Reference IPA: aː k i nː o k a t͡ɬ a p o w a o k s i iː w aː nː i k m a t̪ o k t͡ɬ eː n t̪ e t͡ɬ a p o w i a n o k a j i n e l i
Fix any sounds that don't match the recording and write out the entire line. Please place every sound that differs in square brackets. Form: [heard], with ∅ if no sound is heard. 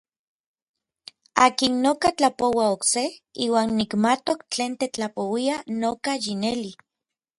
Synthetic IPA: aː k i nː o k a t͡ɬ a p o w a o k s [e] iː w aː nː i k m a t̪ o k t͡ɬ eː n t̪ e t͡ɬ a p o w i a n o k a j i n e l i